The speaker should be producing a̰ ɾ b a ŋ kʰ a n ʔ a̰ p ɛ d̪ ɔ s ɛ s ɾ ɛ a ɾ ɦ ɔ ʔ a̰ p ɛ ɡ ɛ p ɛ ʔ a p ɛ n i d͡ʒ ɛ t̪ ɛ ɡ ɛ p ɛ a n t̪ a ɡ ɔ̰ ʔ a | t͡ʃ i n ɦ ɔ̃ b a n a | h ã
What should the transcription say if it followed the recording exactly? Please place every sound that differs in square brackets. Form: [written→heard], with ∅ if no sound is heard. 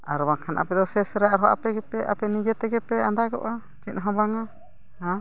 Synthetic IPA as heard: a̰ ɾ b a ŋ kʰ a n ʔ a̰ p ɛ d̪ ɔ s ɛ s ɾ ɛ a ɾ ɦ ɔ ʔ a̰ p ɛ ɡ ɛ p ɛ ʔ a p ɛ n i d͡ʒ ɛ t̪ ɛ ɡ ɛ p ɛ a n [t̪→d̪] a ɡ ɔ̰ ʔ a | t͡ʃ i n ɦ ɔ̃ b a [n→ŋ] a | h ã